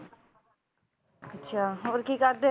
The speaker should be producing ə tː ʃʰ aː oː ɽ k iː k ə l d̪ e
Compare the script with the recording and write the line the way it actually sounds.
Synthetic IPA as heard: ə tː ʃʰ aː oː ɾ k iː k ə ɾ d̪ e